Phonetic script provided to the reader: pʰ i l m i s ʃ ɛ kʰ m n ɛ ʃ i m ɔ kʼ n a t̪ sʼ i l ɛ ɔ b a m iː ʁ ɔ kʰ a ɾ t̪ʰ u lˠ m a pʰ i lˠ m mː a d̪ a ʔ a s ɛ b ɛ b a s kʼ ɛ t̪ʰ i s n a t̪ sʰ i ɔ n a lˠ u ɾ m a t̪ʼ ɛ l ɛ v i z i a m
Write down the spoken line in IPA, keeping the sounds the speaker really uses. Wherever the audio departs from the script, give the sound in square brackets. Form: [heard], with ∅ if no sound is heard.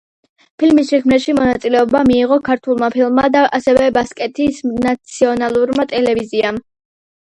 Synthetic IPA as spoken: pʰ i l m i s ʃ ɛ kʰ m n ɛ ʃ i m ɔ [∅] n a t̪ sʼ i l ɛ ɔ b a m iː ʁ ɔ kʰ a ɾ t̪ʰ u lˠ m a pʰ i lˠ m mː a d̪ a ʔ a s ɛ [v] ɛ b a s kʼ ɛ t̪ʰ i s n a t̪ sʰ i ɔ n a lˠ u ɾ m a t̪ʼ ɛ l ɛ v i z i a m